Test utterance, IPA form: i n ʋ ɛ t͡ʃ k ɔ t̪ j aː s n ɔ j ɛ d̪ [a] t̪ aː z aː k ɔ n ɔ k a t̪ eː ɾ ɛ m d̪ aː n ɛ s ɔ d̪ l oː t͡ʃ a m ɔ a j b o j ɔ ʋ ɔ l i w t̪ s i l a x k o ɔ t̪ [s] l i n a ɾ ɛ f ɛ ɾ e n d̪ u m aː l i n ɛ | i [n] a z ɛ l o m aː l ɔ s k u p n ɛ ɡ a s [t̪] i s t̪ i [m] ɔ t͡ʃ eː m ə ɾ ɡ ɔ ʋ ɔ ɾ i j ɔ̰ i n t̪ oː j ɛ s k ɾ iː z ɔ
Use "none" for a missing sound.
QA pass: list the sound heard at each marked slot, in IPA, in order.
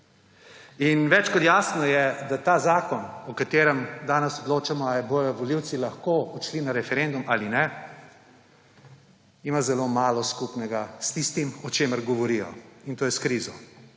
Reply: a, ʃ, m, t̪, m

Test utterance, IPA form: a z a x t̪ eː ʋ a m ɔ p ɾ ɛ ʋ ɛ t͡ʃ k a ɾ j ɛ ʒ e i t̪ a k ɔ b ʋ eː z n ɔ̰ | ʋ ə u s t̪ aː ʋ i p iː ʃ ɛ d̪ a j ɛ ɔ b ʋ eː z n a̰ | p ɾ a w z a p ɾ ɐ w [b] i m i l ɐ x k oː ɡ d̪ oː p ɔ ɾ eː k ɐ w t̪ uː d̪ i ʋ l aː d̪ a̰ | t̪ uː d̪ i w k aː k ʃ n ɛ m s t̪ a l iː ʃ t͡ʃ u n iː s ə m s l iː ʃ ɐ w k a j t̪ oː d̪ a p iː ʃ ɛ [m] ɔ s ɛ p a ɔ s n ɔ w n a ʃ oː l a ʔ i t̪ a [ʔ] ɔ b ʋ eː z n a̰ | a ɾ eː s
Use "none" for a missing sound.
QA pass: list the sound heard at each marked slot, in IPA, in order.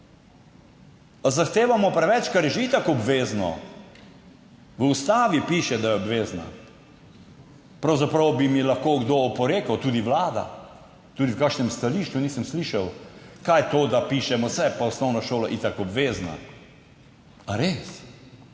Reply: b, m, k

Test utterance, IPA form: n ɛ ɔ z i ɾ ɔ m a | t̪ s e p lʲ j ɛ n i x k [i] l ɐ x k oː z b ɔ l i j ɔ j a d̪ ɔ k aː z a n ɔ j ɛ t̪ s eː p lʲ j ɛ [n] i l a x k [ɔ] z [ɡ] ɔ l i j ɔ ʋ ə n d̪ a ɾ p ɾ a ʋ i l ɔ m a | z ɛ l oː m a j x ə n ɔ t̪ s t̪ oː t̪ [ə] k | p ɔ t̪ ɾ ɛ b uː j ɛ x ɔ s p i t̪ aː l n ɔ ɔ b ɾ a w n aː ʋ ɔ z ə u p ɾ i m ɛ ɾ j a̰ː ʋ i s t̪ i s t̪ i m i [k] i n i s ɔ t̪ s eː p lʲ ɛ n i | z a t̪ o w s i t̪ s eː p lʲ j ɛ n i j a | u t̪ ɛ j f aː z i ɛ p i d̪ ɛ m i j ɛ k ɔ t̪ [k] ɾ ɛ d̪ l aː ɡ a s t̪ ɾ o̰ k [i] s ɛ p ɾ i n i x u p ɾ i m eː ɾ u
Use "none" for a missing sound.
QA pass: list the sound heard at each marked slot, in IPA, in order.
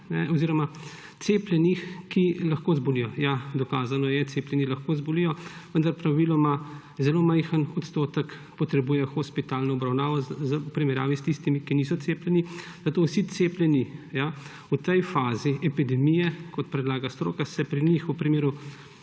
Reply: i, n, o, b, ə, k, p, a

